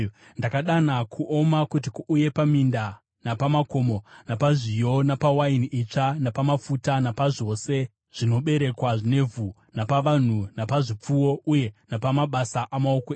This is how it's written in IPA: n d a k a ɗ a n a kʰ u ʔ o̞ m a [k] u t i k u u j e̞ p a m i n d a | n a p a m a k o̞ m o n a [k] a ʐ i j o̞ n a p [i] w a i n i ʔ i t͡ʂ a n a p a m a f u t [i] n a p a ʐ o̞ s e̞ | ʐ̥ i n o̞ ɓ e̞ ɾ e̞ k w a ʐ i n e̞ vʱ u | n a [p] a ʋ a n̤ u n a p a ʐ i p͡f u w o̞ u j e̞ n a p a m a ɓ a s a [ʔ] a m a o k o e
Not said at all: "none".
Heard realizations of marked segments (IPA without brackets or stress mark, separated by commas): k, p, a, a, p, ʔ